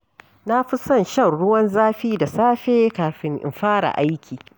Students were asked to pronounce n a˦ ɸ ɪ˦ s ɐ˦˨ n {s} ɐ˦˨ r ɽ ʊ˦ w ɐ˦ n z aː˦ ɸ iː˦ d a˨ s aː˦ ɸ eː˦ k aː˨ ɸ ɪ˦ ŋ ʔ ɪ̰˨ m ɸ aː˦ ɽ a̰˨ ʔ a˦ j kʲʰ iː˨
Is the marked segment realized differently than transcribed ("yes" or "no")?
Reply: yes